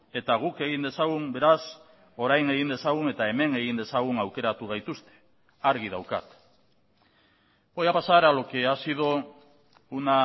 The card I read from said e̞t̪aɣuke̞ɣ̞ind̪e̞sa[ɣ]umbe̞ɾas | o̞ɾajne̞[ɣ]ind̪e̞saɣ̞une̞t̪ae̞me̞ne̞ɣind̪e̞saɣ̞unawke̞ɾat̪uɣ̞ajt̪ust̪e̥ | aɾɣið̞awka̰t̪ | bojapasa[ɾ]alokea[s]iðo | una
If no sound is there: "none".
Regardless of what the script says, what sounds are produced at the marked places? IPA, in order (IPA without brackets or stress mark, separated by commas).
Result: ɣ, ɣ, ɾ, s